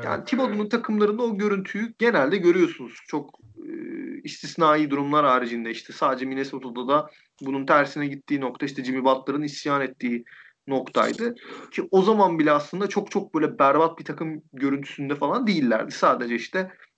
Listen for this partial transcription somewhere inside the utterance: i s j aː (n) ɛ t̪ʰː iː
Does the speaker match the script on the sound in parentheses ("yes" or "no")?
yes